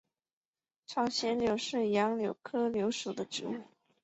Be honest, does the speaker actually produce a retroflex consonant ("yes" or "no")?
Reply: yes